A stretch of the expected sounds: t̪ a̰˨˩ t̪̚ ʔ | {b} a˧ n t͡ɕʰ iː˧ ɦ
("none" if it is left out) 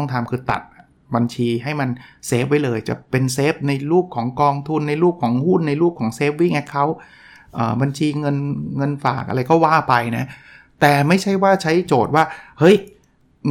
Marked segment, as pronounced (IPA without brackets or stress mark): b